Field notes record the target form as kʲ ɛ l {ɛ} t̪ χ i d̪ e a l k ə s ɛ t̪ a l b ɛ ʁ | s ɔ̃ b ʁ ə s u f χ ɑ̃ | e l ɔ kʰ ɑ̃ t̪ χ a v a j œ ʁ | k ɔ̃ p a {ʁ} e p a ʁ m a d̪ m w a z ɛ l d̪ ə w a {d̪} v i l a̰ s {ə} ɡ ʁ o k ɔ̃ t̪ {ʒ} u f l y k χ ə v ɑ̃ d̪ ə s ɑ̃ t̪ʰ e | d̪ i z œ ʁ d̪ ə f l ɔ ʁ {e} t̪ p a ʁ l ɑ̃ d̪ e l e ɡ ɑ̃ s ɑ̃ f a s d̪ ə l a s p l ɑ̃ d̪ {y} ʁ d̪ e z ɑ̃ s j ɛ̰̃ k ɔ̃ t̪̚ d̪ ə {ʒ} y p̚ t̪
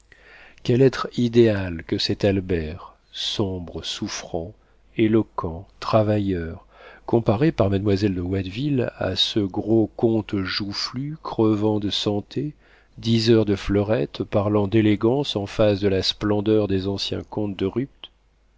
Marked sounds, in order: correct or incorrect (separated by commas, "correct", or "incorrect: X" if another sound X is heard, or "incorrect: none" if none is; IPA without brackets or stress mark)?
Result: correct, correct, correct, correct, correct, incorrect: ɛ, incorrect: œ, incorrect: ʁ